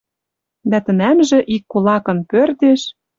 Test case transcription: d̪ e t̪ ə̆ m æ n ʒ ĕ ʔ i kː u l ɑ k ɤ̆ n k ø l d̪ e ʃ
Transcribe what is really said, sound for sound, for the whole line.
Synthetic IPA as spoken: d̪ æ t̪ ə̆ n æ m ʒ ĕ ʔ i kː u l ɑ k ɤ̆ n p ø r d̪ e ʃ